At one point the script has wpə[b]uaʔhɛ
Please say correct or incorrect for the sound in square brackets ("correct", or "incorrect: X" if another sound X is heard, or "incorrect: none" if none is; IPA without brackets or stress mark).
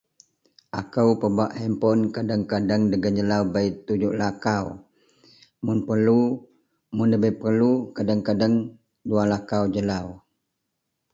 correct